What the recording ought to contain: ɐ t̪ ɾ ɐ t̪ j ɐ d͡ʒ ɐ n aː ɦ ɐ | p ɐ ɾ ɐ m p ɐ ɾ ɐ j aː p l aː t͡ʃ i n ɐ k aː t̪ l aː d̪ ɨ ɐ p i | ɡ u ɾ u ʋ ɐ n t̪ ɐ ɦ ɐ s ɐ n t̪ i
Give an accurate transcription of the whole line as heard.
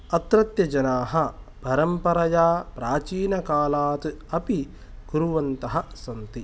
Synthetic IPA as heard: ɐ t̪ ɾ ɐ t̪ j ɐ d͡ʒ ɐ n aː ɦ ɐ | p ɐ ɾ ɐ m p ɐ ɾ ɐ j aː p ɾ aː t͡ʃ iː n ɐ k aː l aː t̪ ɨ ɐ p i | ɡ u ɾ u ʋ ɐ n t̪ ɐ ɦ ɐ s ɐ n t̪ i